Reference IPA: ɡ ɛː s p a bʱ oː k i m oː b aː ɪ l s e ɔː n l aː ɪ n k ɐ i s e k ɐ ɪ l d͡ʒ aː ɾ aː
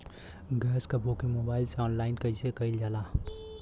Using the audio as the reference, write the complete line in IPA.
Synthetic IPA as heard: ɡ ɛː s k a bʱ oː k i m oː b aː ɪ l s e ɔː n l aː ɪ n k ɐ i s e k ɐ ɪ l d͡ʒ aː l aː